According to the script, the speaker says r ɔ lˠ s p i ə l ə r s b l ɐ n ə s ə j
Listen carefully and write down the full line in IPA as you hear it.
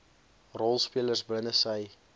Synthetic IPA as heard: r ɔ lˠ s p i ə l ə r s b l ə n ə s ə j